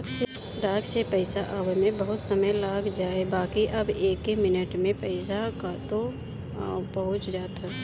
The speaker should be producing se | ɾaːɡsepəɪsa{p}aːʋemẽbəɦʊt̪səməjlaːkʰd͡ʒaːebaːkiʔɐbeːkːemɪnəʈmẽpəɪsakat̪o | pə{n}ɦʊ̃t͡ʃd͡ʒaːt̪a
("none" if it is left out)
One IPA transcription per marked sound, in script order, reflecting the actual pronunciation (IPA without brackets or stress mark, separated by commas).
ʔ, none